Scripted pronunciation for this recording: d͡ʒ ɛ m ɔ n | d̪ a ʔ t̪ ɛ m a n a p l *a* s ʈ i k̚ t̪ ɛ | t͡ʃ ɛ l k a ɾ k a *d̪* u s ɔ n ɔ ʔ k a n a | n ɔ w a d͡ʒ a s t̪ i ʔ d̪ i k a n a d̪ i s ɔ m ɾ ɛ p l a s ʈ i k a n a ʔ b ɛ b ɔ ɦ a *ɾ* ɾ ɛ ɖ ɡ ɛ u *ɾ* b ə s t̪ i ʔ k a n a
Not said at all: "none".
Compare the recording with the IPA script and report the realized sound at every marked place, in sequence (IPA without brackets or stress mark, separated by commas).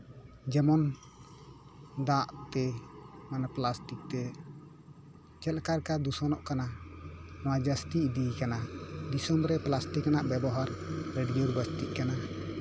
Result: a, d̪, ɾ, ɾ